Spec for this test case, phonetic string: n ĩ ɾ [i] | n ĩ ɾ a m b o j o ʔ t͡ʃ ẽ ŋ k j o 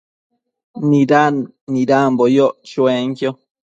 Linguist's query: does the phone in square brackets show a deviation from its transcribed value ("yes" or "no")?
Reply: yes